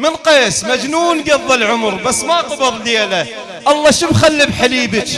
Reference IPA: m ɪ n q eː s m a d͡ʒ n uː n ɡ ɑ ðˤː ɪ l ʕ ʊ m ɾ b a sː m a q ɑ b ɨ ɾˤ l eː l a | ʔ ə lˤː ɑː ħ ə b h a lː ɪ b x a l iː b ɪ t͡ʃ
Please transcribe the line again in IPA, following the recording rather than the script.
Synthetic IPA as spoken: m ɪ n q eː s m a d͡ʒ n uː n ɡ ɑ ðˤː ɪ l ʕ ʊ m ɾ b a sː m a q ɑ b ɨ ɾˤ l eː l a | ʔ ɑ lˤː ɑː ʃ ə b x a lː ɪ b ħ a l iː b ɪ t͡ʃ